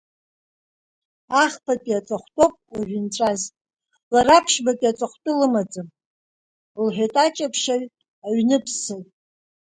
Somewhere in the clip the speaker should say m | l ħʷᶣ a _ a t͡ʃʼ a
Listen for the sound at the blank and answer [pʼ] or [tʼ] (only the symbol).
tʼ